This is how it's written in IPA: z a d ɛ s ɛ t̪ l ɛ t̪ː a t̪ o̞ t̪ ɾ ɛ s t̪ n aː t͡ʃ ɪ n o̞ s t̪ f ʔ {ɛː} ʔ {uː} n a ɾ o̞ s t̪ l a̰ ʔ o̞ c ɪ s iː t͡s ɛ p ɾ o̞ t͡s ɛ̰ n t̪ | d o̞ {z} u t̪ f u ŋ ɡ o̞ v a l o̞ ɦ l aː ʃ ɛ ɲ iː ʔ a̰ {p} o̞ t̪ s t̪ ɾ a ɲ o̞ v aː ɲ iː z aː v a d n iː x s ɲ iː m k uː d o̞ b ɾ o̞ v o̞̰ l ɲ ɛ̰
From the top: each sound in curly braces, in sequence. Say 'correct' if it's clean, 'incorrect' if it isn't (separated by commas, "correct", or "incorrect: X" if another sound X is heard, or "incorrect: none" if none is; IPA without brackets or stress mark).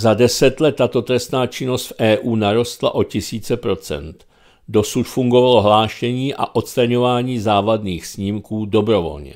correct, correct, incorrect: s, incorrect: ʔ